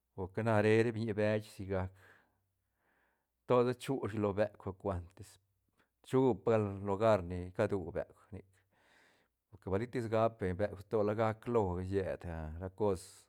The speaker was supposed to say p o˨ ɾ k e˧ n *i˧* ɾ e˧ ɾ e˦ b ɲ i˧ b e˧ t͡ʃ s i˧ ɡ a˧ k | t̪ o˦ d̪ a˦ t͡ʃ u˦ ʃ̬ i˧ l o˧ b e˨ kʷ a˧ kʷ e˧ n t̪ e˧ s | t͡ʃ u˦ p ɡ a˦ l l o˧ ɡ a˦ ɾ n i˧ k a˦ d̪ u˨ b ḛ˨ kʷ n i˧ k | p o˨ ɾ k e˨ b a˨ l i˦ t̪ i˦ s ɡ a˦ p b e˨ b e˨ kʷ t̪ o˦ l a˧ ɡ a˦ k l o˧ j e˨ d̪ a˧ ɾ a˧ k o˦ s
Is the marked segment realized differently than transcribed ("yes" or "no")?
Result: yes